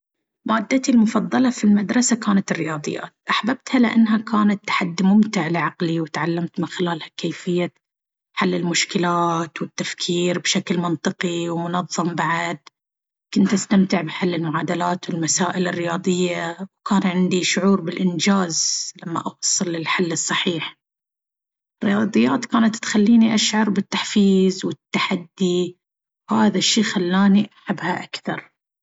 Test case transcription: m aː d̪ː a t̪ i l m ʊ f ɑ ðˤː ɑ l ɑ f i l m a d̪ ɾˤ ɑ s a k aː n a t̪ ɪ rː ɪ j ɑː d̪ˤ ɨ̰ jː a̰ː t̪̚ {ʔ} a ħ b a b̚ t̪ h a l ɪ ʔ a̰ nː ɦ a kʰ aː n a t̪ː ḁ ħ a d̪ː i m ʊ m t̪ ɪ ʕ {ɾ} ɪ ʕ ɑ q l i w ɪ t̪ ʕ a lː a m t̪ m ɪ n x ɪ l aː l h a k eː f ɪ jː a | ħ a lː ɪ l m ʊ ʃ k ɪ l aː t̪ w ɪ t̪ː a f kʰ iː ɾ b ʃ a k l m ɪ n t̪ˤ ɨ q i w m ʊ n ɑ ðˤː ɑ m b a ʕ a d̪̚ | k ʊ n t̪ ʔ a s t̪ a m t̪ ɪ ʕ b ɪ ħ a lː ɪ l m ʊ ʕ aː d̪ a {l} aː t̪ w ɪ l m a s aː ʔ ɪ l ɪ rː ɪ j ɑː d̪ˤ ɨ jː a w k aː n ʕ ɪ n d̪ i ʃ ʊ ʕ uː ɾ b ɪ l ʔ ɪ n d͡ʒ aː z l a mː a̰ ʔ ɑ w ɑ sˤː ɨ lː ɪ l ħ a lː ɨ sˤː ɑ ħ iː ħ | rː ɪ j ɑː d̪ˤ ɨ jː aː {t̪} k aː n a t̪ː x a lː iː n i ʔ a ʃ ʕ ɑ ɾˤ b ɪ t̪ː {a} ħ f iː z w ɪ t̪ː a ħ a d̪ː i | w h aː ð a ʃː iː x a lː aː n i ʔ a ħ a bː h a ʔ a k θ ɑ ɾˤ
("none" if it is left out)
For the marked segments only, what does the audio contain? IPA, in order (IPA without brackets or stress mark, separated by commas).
ʔ, l, l, t̪, a